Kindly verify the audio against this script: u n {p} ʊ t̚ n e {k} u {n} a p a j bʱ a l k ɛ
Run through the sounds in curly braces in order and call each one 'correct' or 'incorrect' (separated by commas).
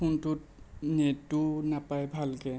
incorrect, incorrect, correct